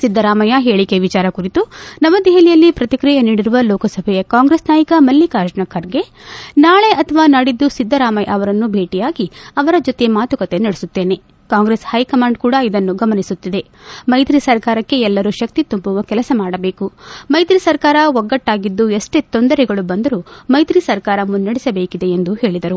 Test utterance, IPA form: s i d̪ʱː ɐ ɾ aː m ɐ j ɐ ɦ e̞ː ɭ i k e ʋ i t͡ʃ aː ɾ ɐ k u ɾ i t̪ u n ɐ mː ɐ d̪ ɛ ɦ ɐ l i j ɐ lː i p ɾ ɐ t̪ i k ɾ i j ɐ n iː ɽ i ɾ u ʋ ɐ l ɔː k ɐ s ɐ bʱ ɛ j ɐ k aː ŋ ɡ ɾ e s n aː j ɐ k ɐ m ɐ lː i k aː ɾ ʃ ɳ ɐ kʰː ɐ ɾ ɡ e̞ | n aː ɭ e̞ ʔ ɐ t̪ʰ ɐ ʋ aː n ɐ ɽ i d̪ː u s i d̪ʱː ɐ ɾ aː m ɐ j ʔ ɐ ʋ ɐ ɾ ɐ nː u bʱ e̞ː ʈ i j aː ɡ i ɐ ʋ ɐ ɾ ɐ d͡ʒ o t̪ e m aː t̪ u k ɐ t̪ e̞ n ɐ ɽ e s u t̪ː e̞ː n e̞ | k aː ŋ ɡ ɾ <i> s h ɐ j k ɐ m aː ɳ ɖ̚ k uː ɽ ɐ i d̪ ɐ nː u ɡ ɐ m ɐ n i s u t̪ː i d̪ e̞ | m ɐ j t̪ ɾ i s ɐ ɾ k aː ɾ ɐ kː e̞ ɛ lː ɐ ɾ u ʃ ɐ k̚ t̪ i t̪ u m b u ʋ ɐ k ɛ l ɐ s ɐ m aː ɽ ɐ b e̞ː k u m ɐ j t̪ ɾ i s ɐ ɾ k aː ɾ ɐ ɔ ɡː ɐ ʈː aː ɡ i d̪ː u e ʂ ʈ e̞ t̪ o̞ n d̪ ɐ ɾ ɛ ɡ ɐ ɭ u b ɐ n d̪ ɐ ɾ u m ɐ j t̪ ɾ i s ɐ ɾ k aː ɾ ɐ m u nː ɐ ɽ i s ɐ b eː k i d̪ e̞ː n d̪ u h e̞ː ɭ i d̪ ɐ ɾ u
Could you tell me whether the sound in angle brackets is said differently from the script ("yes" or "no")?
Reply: yes